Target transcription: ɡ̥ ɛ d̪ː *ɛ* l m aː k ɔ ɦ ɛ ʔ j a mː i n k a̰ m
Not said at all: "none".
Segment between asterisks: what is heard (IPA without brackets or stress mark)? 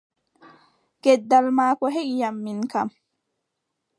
a